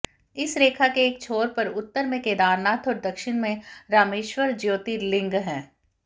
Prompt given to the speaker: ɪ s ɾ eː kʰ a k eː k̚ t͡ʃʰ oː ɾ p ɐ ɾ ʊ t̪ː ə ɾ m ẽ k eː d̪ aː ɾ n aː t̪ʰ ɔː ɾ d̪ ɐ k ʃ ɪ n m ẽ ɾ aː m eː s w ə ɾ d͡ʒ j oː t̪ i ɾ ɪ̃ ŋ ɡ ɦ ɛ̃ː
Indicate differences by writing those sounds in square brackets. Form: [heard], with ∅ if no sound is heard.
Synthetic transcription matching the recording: ɪ s ɾ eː kʰ a k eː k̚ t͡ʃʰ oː ɾ p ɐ ɾ ʊ t̪ː ə ɾ m ẽ k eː d̪ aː ɾ n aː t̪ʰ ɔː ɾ d̪ ɐ k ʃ ɪ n m ẽ ɾ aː m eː [ʃ] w ə ɾ d͡ʒ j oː t̪ i [l] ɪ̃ ŋ ɡ ɦ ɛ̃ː